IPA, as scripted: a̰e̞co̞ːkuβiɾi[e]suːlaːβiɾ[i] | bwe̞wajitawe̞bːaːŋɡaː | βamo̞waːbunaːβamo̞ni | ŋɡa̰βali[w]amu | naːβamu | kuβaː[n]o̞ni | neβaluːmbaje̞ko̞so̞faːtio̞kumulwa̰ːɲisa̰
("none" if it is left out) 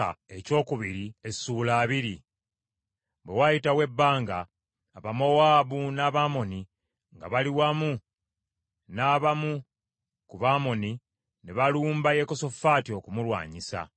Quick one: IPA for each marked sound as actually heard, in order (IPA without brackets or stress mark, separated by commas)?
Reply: e, i, w, m